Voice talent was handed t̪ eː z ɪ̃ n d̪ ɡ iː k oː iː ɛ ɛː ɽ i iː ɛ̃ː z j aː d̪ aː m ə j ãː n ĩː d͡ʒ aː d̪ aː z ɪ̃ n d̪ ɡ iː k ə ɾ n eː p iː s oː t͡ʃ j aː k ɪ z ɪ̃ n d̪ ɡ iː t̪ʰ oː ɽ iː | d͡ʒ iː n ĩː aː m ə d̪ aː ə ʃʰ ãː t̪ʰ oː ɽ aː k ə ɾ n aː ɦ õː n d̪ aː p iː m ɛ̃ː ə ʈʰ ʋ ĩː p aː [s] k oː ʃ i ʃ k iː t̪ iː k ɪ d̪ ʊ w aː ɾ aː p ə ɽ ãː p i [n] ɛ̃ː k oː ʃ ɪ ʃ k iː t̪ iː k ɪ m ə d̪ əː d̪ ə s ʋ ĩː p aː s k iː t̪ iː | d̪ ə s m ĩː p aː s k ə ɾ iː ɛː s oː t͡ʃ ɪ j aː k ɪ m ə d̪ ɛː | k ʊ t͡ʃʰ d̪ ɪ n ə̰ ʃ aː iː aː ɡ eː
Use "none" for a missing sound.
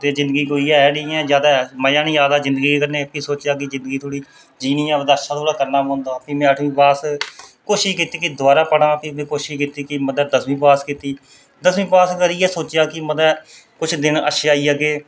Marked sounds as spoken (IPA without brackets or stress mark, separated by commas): s, m